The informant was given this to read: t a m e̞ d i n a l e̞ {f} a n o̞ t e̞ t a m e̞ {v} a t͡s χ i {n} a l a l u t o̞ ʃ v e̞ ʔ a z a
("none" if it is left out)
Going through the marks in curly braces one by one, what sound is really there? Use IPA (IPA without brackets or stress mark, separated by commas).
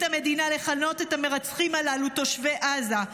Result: χ, ʁ, m